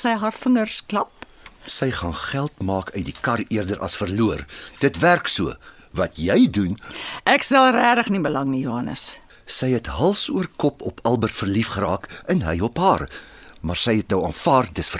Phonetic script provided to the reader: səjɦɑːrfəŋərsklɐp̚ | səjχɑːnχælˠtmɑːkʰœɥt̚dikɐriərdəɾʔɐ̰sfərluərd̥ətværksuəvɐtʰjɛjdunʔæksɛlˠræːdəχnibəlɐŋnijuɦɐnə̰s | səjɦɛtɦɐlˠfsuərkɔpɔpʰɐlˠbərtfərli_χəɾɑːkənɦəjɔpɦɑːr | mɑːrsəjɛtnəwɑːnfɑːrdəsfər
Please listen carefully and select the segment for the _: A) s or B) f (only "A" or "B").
B